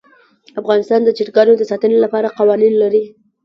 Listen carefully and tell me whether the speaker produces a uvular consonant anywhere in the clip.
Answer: yes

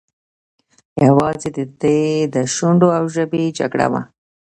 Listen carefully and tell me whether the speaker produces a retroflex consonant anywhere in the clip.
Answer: yes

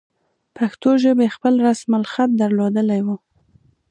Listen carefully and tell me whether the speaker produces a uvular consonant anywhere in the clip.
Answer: no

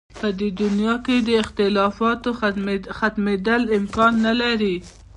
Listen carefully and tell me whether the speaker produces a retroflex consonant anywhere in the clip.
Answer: no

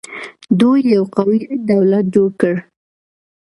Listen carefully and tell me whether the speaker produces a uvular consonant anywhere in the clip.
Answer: yes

